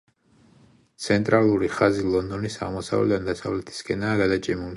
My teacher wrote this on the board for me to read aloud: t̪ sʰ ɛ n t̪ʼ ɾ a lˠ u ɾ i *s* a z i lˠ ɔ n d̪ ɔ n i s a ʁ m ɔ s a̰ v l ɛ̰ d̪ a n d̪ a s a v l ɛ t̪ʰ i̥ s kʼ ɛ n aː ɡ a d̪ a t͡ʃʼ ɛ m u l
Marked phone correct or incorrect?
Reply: incorrect